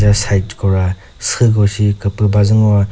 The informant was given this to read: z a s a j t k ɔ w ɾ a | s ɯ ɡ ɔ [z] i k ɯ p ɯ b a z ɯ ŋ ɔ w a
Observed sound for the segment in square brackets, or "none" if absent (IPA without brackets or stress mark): s